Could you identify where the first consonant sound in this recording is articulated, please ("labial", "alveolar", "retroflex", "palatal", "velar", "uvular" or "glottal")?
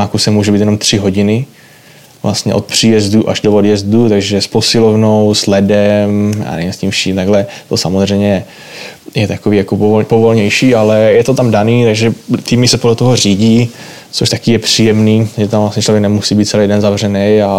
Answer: velar